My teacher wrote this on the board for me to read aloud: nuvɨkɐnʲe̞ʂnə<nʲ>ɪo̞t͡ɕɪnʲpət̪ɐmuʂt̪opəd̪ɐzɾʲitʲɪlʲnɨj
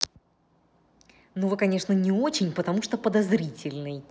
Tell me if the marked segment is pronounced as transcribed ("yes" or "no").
yes